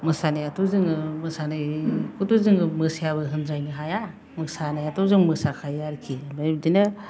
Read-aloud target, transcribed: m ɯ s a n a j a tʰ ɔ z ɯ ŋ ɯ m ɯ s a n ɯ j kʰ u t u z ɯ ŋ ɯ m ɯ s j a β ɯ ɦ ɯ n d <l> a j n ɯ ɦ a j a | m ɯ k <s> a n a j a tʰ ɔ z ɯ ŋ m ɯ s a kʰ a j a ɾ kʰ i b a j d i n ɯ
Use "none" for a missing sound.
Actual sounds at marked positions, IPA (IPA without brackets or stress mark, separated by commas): ɾ, s